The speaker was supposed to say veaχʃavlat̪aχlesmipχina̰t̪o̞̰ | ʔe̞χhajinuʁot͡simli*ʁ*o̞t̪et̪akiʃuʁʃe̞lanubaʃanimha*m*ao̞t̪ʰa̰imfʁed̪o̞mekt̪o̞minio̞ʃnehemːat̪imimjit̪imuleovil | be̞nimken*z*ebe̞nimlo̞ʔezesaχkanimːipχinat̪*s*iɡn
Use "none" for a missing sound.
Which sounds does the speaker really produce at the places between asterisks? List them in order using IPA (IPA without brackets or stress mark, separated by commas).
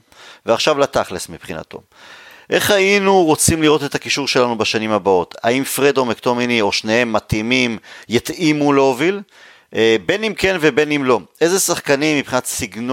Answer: ʁ, b, v, s